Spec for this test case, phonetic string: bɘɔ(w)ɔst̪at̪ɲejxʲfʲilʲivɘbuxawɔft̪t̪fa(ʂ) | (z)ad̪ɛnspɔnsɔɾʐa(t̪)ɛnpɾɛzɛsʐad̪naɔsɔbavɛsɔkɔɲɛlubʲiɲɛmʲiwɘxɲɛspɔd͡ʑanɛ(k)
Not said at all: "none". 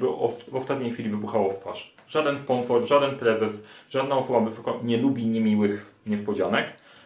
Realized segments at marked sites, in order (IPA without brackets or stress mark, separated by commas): v, ʂ, ʐ, d̪, k